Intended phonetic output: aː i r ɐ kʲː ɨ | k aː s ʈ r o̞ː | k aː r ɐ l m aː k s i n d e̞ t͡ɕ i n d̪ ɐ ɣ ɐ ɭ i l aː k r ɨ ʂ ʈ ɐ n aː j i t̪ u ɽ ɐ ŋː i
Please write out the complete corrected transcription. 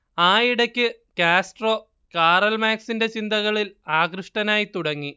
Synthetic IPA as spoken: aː i ɽ ɐ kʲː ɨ | k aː s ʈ r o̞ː | k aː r ɐ l m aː k s i n d e̞ t͡ɕ i n d̪ ɐ ɣ ɐ ɭ i l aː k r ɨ ʂ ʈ ɐ n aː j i t̪ u ɽ ɐ ŋː i